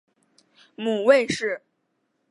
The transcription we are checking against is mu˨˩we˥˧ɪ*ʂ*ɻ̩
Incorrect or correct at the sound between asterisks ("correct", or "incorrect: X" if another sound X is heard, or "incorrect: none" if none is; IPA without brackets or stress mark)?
correct